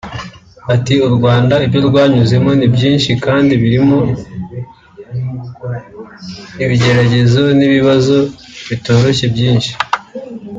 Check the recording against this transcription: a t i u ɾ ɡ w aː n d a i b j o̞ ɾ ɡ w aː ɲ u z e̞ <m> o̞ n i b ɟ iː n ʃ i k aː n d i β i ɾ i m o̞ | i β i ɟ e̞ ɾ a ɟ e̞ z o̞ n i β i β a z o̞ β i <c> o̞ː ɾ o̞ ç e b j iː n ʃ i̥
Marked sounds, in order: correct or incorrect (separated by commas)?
correct, incorrect